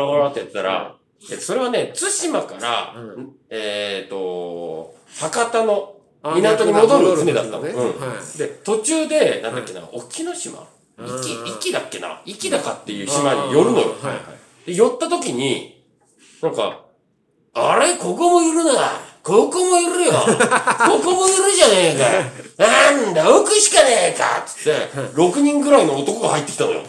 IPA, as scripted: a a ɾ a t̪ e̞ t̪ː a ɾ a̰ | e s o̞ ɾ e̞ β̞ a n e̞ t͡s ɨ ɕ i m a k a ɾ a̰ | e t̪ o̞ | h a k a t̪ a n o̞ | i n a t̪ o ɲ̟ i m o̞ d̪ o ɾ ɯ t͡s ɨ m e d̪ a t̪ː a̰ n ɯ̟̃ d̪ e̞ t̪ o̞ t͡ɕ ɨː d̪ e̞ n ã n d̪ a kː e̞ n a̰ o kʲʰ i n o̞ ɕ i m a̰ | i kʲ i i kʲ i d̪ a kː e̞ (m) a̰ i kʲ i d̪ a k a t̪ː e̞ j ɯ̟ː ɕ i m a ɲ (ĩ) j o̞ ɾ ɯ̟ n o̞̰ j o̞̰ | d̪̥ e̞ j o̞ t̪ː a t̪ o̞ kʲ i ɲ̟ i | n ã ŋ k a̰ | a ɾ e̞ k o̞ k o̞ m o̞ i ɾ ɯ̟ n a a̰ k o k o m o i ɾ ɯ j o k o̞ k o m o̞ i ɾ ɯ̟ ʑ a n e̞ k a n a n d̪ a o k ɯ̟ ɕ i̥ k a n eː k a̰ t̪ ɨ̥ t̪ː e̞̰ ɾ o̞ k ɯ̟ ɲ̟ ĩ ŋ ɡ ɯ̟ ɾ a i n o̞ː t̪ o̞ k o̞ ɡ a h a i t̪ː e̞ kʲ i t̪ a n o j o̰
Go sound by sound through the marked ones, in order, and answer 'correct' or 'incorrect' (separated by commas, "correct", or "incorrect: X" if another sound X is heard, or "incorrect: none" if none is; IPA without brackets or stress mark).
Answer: incorrect: n, incorrect: i